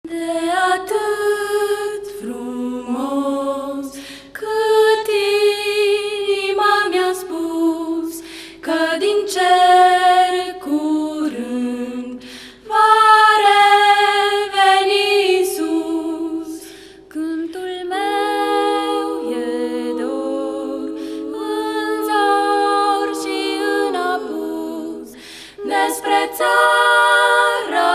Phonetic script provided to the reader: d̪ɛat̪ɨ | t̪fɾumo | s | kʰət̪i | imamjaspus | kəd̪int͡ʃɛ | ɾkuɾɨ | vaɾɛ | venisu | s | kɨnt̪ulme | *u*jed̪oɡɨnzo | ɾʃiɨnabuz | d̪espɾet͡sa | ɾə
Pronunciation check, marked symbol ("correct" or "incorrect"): incorrect